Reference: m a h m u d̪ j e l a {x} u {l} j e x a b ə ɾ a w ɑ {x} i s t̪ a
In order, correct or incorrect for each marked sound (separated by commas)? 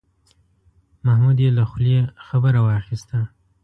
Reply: correct, correct, correct